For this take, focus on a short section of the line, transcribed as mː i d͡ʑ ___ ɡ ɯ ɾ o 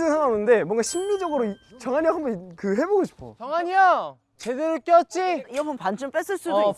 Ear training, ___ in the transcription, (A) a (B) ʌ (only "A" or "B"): B